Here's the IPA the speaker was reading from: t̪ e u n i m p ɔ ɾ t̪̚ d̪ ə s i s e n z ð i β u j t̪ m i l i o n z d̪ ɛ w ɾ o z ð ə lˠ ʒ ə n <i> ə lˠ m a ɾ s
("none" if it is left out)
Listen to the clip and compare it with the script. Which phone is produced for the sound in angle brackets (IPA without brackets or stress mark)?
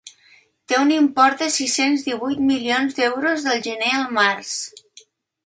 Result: e